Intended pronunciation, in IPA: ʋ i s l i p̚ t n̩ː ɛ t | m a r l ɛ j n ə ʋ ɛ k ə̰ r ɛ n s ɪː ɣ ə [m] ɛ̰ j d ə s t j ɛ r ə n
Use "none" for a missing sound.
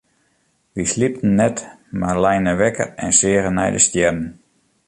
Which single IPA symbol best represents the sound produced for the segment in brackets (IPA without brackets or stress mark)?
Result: n